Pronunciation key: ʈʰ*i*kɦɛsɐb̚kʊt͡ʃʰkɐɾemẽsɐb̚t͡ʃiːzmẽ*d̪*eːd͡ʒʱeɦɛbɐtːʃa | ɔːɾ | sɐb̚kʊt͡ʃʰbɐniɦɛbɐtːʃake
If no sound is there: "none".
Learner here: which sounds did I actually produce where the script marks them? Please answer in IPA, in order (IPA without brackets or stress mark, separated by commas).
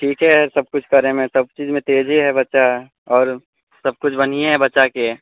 iː, t̪